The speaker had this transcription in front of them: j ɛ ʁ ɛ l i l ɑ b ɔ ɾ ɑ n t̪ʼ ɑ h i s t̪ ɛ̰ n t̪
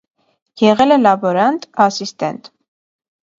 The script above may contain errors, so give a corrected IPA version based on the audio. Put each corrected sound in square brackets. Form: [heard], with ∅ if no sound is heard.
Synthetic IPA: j ɛ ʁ ɛ l [ɛ] l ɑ b ɔ ɾ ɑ n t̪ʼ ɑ [s] i s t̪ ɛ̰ n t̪